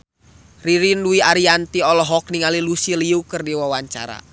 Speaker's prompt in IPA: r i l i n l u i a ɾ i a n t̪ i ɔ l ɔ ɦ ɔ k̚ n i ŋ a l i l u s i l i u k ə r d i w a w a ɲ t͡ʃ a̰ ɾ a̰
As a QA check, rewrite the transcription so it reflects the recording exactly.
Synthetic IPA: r i ɾ i n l u i a ɾ i a n t̪ i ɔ l ɔ ɦ ɔ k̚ n i ŋ a l i l u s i l i u k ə r d i w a w a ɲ t͡ʃ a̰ ɾ a̰